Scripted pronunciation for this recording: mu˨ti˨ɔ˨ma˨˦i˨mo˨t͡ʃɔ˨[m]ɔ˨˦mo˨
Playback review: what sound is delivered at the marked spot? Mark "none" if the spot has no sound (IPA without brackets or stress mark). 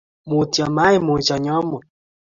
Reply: ɲ